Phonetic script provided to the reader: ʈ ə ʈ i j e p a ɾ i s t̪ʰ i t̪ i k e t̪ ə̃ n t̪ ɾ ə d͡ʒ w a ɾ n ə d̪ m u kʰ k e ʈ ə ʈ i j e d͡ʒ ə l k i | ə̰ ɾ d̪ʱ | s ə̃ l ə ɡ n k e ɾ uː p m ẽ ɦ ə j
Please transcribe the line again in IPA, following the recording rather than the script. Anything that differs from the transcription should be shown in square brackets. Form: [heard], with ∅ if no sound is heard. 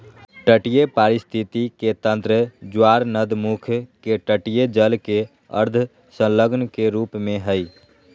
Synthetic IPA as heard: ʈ ə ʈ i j e p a ɾ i s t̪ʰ i t̪ i k e t̪ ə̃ n t̪ ɾ ə d͡ʒ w a ɾ n ə d̪ m u kʰ k e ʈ ə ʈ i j e d͡ʒ ə l k [e] | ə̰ ɾ d̪ʱ | s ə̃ l ə ɡ n k e ɾ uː p m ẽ ɦ ə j

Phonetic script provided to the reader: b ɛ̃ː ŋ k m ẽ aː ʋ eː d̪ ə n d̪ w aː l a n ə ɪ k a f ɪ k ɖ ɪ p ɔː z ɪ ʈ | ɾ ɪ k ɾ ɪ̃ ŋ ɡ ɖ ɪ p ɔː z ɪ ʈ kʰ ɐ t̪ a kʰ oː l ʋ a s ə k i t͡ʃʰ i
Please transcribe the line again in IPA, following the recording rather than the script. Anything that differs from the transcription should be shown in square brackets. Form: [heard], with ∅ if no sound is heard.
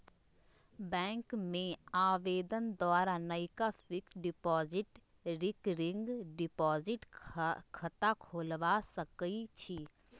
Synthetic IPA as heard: b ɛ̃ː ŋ k m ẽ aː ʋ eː d̪ ə n d̪ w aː [ɾ] a n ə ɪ k a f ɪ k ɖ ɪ p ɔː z ɪ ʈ | ɾ ɪ k ɾ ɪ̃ ŋ ɡ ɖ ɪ p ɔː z ɪ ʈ kʰ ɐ t̪ a kʰ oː l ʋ a s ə k i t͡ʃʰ i

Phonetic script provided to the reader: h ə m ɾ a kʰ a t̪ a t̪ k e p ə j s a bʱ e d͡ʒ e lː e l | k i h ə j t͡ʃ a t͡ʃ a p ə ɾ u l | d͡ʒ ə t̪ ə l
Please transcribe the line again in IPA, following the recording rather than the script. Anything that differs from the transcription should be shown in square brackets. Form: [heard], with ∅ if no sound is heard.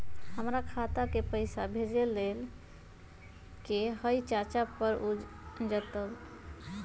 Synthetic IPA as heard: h ə m ɾ a kʰ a t̪ a [∅] k e p ə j s a bʱ e d͡ʒ e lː e l | k [e] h ə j t͡ʃ a t͡ʃ a p ə ɾ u [∅] | d͡ʒ ə t̪ ə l

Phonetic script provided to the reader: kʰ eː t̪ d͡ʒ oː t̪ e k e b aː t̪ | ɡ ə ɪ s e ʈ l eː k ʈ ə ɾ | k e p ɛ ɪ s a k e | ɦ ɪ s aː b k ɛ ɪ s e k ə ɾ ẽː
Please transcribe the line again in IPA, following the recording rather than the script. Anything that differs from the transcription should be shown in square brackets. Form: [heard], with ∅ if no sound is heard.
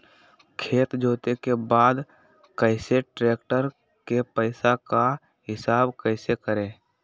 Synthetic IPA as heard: kʰ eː t̪ d͡ʒ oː t̪ e k e b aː [d̪] | [k] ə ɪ s e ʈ [ɾ] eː k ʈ ə ɾ | k e p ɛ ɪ s a k [a] | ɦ ɪ s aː b k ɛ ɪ s e k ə ɾ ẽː

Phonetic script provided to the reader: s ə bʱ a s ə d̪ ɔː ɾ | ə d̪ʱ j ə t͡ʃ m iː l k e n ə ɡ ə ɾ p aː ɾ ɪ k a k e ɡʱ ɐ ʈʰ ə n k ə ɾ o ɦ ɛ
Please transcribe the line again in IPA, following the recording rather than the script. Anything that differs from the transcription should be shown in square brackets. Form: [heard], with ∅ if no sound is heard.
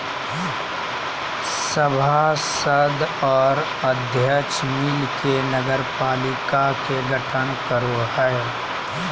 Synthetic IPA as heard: s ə bʱ a s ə d̪ ɔː ɾ | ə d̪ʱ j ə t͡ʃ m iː l k e n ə ɡ ə ɾ p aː [l] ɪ k a k e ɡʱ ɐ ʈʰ ə n k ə ɾ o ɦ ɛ

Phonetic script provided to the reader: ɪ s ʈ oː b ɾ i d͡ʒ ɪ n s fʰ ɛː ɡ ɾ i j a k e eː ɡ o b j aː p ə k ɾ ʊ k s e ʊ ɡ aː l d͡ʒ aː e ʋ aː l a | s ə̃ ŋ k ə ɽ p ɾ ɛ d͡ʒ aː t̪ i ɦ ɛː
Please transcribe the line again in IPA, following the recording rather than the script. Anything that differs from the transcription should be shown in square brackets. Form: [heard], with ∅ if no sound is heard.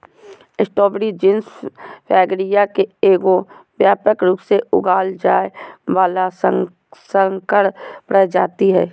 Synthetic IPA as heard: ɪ s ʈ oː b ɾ i d͡ʒ ɪ n s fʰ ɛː ɡ ɾ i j a k e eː ɡ o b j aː p ə k ɾ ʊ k s e ʊ ɡ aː l d͡ʒ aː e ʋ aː l a | s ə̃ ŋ k ə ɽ p ɾ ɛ d͡ʒ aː t̪ i ɦ ɛː

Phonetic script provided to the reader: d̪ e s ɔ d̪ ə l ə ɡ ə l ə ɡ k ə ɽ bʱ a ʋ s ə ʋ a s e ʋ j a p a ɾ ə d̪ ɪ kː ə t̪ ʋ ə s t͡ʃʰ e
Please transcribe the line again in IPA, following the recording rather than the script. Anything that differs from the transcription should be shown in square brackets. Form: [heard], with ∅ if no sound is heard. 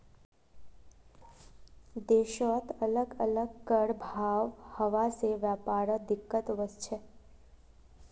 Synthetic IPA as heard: d̪ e [ʃ] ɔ [t̪] ə l ə ɡ ə l ə ɡ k ə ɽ bʱ a ʋ [h] ə ʋ a s e ʋ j a p a ɾ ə d̪ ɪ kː ə t̪ ʋ ə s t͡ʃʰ e

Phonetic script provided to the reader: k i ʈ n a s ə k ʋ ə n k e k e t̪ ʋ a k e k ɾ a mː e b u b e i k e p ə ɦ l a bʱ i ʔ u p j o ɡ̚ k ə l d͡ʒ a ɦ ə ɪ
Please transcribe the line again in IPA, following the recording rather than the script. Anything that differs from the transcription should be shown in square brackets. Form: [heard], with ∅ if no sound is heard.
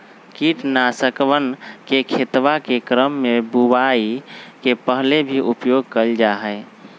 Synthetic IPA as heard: k i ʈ n a s ə k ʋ ə n k e [kʰ] e t̪ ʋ a k e k ɾ [ə] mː e b u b [a] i k e p ə ɦ l [e] bʱ i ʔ u p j o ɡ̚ k ə l d͡ʒ a ɦ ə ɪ

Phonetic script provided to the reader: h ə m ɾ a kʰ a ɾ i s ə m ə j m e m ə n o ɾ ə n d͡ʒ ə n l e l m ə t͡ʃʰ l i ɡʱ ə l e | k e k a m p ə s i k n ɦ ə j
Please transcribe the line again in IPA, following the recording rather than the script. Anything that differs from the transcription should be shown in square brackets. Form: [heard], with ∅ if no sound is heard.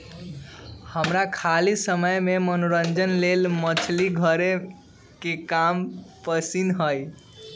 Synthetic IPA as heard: h ə m ɾ a kʰ a [l] i s ə m ə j m e m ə n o ɾ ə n d͡ʒ ə n l e l m ə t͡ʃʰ l i ɡʱ ə [ɾ] e | k e k a m p ə s i [∅] n ɦ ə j

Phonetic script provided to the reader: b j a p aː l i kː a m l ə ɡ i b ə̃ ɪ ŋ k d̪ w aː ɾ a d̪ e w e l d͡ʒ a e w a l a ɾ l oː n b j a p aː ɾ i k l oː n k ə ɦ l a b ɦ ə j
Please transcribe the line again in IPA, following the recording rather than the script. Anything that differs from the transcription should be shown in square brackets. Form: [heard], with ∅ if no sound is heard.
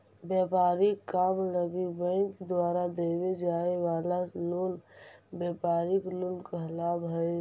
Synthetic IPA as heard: b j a p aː [ɾ] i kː a m l ə ɡ i b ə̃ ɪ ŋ k d̪ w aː ɾ a d̪ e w e [∅] d͡ʒ a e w a l a [∅] l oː n b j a p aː ɾ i k l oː n k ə ɦ l a b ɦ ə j

